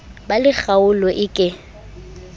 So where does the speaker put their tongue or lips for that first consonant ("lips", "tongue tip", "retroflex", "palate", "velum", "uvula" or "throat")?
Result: lips